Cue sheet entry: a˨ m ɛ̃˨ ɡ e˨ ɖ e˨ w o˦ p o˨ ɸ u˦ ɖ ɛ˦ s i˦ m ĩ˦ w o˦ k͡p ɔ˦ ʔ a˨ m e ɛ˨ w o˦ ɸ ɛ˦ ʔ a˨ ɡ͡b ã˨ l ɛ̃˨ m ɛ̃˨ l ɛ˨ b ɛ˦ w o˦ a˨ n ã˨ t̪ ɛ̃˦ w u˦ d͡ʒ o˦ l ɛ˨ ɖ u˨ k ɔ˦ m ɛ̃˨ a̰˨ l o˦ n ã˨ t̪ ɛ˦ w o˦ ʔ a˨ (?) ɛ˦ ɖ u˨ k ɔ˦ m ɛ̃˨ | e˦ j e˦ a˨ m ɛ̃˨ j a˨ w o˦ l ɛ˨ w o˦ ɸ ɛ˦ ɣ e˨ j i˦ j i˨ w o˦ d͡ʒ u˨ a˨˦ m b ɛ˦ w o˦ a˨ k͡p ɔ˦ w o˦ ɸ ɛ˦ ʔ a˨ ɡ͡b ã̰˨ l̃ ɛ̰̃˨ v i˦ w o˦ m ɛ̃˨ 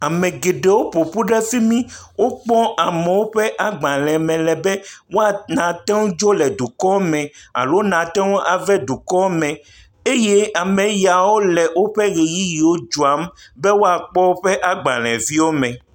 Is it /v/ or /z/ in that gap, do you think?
v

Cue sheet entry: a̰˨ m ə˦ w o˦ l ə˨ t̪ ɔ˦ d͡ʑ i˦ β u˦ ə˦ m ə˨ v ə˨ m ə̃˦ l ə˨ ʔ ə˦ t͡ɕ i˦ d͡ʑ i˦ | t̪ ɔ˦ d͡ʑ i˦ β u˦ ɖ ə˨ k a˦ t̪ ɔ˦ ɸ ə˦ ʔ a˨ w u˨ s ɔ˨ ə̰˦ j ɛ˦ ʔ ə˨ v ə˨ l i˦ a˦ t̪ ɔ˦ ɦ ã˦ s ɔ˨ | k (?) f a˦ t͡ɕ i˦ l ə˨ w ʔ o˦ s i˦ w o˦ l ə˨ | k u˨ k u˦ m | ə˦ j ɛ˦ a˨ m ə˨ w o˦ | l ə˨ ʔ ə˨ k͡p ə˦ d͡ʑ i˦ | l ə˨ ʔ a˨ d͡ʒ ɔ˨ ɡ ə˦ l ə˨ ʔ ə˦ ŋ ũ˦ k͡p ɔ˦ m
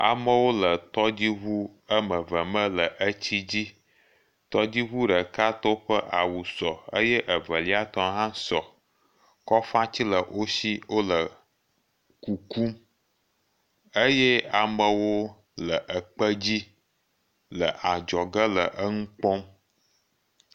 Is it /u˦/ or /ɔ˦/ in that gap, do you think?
ɔ˦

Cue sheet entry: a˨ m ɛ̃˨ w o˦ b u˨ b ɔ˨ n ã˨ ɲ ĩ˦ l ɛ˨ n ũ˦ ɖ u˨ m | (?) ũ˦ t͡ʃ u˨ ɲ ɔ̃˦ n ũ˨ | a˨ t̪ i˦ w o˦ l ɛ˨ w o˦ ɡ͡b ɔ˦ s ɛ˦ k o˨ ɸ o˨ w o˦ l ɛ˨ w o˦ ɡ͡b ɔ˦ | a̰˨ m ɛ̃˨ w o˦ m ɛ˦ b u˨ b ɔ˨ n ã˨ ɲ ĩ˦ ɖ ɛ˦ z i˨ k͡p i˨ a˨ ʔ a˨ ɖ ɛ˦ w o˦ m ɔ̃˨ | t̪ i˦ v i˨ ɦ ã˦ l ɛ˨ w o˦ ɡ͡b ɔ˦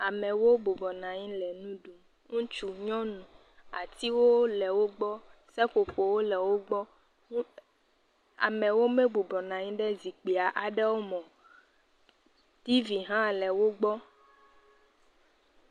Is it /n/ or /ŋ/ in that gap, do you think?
ŋ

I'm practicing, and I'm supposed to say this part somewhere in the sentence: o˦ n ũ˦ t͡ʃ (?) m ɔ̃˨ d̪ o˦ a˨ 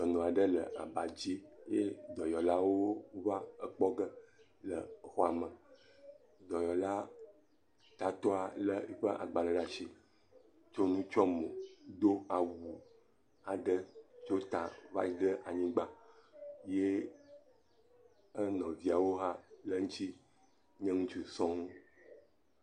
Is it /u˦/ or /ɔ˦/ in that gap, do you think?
ɔ˦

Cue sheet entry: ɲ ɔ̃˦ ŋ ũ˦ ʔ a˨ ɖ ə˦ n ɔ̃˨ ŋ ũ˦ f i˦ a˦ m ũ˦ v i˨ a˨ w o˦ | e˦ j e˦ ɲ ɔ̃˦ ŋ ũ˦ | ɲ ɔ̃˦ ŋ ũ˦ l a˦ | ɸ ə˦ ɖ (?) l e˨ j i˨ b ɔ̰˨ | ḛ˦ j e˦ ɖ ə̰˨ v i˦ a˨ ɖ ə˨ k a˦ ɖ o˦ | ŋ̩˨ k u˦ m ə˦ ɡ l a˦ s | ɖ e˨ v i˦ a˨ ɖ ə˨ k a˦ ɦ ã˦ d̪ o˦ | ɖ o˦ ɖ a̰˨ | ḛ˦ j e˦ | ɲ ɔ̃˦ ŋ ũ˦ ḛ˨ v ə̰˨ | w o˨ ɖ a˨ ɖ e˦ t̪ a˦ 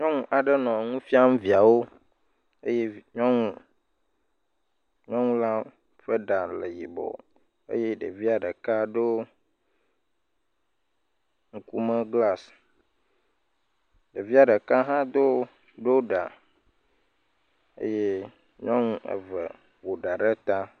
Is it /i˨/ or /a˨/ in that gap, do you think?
a˨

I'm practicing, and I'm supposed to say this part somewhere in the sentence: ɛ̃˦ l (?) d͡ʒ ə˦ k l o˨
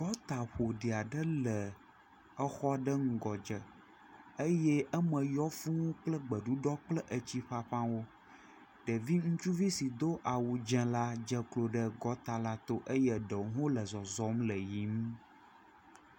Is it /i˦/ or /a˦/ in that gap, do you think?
a˦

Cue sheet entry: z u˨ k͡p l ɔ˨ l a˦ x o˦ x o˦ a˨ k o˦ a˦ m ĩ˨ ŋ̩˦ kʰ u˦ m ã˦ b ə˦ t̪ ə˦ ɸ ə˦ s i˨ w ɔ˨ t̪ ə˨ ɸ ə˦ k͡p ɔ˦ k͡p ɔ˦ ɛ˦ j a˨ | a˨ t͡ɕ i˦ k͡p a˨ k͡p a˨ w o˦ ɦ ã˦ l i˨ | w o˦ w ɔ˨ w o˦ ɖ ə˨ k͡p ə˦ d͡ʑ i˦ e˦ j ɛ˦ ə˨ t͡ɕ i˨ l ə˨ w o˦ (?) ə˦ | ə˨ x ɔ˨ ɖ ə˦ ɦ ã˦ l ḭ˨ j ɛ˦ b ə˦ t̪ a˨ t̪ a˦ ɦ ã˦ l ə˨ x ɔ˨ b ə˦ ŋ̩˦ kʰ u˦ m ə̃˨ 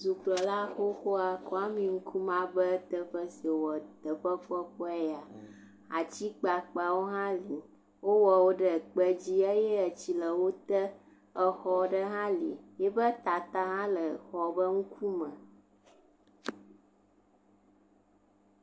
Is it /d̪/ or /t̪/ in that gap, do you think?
t̪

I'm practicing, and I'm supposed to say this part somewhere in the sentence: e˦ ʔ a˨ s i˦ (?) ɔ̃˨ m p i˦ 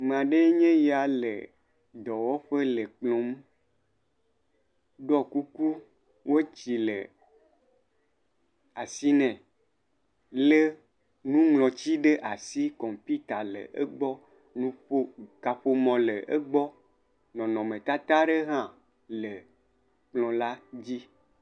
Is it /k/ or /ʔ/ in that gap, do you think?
k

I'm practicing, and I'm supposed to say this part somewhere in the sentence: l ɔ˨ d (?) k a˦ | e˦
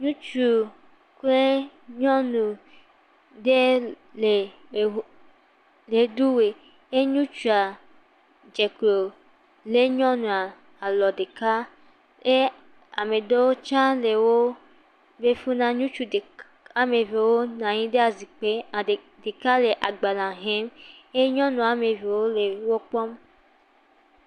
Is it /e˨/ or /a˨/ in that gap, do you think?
e˨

